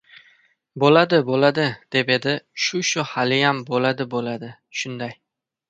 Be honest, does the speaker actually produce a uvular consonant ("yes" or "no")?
no